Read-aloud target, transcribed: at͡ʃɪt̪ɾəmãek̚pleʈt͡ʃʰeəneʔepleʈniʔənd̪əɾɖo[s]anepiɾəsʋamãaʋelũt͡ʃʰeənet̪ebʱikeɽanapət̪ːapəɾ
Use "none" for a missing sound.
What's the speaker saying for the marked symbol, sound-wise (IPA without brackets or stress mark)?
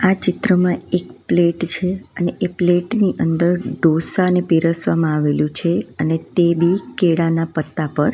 s